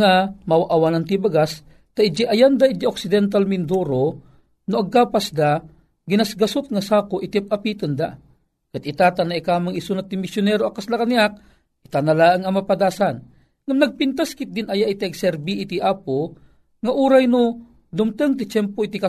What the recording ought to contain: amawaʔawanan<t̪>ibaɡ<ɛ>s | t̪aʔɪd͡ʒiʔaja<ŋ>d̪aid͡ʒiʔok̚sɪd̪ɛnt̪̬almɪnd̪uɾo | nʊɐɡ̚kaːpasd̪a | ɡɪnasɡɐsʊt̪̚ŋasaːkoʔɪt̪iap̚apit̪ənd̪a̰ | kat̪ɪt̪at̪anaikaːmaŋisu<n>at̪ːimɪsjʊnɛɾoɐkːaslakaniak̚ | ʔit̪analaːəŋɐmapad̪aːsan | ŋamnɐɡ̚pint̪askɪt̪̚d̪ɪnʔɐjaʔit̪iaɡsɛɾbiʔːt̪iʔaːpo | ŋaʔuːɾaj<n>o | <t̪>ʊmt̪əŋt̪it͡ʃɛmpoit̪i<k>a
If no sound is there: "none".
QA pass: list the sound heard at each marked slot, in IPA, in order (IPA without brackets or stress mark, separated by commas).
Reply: t̪, a, n, n, n, d̪, k